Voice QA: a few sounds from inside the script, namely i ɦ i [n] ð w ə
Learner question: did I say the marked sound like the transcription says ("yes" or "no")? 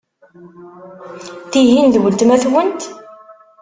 yes